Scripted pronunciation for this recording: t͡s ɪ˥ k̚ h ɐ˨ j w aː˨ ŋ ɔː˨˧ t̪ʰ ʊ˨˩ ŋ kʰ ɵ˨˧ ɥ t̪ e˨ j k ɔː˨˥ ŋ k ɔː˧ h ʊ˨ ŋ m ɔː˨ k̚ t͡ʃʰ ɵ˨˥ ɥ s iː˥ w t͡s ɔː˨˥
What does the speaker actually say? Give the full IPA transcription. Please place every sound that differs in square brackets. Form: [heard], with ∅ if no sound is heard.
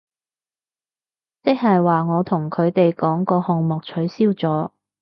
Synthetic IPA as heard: t͡s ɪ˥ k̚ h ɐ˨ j w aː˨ ŋ ɔː˨˧ t̪ʰ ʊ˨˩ ŋ kʰ ɵ˨˧ ɥ t̪ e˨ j k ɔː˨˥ ŋ k ɔː˧ h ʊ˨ ŋ m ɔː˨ k̚ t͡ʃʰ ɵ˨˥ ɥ s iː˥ w t͡s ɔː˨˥